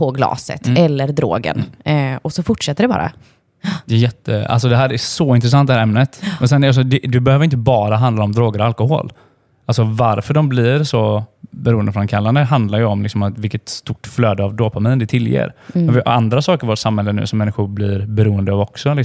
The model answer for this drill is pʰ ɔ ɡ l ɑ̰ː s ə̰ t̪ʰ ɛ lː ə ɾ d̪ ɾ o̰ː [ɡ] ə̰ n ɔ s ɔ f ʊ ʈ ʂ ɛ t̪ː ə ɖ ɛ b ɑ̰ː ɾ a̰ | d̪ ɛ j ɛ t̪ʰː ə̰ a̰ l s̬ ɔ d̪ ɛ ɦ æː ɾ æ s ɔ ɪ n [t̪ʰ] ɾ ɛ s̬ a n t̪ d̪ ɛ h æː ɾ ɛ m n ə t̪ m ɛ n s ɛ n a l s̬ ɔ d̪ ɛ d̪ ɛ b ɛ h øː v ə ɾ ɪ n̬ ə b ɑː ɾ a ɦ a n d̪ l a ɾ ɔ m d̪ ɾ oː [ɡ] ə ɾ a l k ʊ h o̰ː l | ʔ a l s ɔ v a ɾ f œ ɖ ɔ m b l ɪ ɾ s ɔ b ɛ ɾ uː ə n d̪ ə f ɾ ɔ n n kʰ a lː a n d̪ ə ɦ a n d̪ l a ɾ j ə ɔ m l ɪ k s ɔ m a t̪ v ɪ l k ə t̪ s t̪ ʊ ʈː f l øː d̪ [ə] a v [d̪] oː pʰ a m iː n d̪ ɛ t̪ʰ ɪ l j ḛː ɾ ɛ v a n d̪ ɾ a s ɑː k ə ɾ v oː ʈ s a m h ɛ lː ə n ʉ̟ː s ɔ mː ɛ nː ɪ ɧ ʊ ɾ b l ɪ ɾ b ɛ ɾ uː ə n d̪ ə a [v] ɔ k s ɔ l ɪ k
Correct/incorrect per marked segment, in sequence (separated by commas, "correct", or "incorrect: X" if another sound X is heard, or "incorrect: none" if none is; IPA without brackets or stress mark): correct, incorrect: t̪, correct, correct, correct, correct